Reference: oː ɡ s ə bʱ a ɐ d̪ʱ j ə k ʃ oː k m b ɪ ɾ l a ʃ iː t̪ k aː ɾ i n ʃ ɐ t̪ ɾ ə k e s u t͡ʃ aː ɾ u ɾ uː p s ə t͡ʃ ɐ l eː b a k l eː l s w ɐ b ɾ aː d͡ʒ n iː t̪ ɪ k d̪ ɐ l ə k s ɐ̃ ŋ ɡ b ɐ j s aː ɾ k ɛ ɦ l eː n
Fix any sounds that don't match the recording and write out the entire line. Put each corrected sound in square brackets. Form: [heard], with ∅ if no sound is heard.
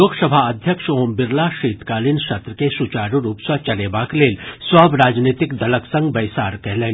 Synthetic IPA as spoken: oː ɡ s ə bʱ a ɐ d̪ʱ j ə k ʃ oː [∅] m b ɪ ɾ l a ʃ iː t̪ k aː [l] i n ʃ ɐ t̪ ɾ ə k e s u t͡ʃ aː ɾ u ɾ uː p s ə t͡ʃ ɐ l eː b a k l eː l s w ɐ b ɾ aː d͡ʒ n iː t̪ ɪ k d̪ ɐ l ə k s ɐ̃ ŋ ɡ b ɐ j s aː ɾ k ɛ ɦ l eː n